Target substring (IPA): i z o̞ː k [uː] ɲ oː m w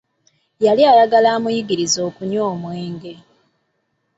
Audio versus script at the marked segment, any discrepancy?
yes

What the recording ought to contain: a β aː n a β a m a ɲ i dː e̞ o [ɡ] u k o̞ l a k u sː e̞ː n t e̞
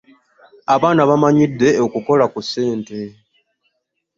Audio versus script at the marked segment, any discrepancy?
yes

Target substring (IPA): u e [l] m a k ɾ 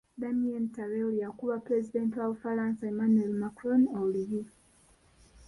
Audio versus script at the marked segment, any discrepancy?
no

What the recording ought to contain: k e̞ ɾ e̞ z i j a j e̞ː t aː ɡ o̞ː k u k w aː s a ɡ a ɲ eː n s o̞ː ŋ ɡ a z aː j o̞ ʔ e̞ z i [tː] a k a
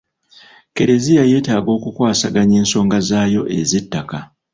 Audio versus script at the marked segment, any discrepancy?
no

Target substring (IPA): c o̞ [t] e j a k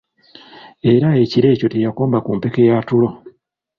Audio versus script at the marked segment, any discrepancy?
no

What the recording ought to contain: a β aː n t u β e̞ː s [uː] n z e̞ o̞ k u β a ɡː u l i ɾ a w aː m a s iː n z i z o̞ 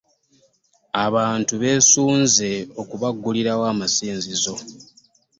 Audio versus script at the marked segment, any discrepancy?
no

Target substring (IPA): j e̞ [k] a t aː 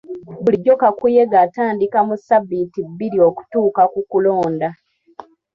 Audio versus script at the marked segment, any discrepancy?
yes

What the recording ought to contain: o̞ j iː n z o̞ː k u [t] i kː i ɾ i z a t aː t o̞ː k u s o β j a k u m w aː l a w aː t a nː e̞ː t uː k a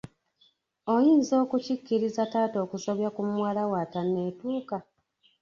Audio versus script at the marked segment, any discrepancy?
yes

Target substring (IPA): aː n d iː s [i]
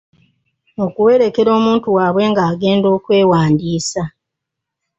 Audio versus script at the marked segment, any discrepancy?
yes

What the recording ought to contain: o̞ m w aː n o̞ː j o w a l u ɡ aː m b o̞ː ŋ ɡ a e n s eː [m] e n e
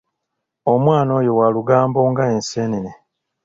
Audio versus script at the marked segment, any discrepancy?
yes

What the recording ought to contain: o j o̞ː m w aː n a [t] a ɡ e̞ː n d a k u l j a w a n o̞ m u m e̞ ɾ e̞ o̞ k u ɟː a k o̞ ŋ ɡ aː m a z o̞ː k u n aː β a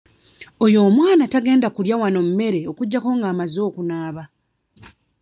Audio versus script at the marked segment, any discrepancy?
no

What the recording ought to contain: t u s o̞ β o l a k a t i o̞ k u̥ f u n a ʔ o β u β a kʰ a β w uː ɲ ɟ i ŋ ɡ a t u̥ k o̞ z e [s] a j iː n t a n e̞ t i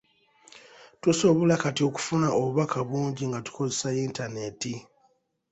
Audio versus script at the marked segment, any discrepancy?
no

